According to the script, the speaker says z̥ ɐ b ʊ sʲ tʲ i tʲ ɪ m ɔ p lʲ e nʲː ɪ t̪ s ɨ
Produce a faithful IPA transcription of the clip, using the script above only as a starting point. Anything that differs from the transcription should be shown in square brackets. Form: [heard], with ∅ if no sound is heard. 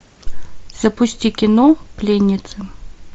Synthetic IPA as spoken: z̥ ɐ [p] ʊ sʲ tʲ i [kʲ] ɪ [n] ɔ p lʲ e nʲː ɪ t̪ s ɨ